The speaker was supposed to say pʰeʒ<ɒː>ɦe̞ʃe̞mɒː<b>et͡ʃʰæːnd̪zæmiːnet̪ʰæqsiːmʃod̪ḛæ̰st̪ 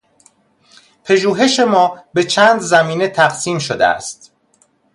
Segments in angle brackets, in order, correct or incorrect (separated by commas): incorrect, correct